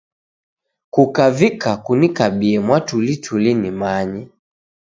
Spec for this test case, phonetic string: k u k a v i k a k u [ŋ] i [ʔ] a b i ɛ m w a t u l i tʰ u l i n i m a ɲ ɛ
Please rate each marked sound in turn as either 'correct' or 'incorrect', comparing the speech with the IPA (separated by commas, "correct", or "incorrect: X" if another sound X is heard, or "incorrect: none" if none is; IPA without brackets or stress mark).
incorrect: n, incorrect: k